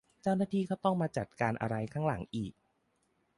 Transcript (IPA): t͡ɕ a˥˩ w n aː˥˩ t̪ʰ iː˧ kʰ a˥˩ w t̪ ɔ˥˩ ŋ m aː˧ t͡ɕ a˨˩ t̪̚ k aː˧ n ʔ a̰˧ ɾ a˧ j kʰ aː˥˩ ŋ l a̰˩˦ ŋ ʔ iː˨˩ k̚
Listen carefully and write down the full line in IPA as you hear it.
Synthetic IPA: t͡ɕ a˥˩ w n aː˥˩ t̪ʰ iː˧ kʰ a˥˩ w t̪ ɔ˥˩ ŋ m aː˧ t͡ɕ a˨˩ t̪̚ k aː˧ n ʔ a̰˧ ɾ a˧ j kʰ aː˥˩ ŋ l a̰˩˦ ŋ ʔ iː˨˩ k̚